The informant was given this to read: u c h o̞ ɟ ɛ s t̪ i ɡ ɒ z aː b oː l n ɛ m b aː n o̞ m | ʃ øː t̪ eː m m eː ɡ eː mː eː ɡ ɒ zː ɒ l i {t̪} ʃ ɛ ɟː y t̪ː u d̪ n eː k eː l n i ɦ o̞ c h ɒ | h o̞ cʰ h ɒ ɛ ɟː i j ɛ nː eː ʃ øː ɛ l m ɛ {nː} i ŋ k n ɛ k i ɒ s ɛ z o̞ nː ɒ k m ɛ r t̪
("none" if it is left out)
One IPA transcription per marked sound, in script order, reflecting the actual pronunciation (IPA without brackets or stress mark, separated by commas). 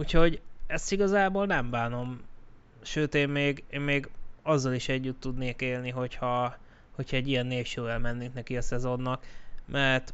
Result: none, nː